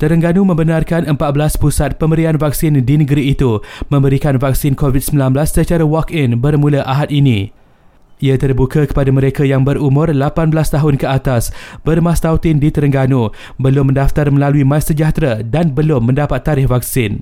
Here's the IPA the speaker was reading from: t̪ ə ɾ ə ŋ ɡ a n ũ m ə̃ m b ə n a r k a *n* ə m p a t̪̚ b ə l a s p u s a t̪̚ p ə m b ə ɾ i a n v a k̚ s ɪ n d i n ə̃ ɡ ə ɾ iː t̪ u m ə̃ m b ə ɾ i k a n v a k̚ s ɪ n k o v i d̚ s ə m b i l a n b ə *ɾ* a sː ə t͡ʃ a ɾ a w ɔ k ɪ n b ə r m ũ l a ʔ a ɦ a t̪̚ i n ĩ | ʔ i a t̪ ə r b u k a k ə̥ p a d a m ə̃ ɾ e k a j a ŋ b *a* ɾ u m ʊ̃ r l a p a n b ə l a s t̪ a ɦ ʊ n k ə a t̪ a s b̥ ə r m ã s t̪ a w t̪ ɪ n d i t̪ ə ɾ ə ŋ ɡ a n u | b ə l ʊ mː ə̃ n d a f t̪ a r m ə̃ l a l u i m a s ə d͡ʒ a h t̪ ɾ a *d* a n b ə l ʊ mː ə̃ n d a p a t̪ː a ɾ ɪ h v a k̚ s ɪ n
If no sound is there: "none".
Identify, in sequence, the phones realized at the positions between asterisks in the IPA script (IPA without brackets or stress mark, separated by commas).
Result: n, l, ə, d